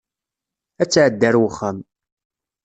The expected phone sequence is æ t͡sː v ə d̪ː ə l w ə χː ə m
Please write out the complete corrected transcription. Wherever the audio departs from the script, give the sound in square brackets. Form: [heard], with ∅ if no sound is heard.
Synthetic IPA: æ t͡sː [ʕ] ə d̪ː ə [ɾ] w ə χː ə m